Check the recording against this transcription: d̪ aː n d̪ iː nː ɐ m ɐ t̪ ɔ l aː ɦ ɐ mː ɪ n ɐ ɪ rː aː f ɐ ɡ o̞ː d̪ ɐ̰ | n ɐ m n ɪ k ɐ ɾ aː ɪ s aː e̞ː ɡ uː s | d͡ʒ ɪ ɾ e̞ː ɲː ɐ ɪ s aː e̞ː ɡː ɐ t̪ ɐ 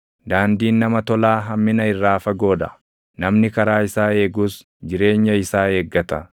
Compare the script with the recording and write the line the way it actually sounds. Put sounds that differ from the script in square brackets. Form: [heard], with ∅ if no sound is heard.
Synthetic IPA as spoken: d̪ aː n d̪ iː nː ɐ m ɐ t̪ ɔ l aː ɦ ɐ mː ɪ n ɐ ɪ rː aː f ɐ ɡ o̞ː d̪ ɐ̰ | n ɐ m n ɪ k ɐ ɾ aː ɪ s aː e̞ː ɡ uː s | d͡ʒ ɪ ɾ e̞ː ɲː ɐ ɪ s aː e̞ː ɡː ɐ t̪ ɐ